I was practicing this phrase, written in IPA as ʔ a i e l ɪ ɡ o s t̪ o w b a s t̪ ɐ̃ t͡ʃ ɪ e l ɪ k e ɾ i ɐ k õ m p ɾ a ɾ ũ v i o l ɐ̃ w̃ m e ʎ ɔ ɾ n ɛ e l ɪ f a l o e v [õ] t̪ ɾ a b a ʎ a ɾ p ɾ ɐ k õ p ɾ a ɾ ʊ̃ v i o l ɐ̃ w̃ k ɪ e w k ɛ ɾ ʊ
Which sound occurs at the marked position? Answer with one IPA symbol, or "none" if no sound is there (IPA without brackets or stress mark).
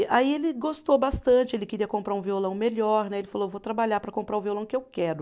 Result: o